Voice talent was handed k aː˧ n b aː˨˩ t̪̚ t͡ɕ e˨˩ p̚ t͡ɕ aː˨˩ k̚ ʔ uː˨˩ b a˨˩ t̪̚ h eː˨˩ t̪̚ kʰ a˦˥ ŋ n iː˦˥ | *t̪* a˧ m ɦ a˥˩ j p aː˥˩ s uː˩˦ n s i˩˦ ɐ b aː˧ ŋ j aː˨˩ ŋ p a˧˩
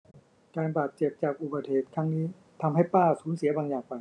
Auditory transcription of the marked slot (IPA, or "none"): t̪ʰ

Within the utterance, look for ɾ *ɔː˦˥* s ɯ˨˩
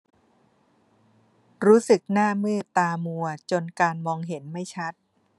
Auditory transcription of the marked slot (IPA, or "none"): uː˦˥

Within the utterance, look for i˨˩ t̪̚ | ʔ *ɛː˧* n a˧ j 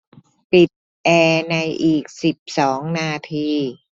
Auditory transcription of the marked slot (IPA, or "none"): ɛː˧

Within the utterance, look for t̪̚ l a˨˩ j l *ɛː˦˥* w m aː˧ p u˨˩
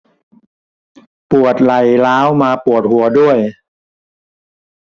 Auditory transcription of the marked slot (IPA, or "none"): aː˦˥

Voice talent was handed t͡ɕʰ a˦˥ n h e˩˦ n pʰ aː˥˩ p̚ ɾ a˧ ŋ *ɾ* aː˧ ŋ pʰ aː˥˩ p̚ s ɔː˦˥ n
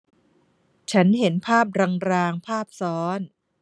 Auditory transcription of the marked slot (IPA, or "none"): ɾ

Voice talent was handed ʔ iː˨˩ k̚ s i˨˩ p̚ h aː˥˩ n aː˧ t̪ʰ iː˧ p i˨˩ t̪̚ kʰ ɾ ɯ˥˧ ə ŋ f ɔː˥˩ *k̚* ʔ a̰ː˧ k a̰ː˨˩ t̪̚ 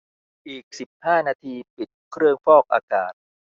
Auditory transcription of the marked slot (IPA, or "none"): k̚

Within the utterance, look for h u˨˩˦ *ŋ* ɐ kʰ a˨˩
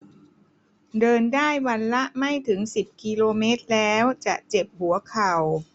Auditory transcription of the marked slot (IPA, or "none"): none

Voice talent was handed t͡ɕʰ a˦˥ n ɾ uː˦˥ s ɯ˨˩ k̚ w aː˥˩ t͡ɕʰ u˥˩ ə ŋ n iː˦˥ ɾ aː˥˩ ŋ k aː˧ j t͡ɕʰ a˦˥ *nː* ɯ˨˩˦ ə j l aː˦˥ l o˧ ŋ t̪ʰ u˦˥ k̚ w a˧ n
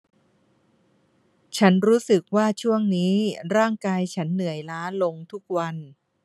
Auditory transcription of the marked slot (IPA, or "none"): nː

